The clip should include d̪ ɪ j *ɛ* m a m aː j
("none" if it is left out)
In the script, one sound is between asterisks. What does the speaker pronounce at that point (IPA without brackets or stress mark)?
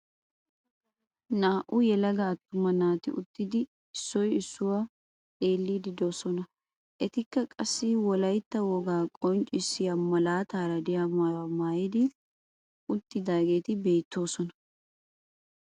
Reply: a